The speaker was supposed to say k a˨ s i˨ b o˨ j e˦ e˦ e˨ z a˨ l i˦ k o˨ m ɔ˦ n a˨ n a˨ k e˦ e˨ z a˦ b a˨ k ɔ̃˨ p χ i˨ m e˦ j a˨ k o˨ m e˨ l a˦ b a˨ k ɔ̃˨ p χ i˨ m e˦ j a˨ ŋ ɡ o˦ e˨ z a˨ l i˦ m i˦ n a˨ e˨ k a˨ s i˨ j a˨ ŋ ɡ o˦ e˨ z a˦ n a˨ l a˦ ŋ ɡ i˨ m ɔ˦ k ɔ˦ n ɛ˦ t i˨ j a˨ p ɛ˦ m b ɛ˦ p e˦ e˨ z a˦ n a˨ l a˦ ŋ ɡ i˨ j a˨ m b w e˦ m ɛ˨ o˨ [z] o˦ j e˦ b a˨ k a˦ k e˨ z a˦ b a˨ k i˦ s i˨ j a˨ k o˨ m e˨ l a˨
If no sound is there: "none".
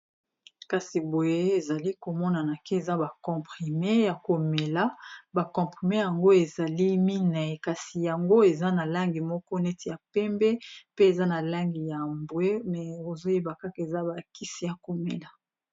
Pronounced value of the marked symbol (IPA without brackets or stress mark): z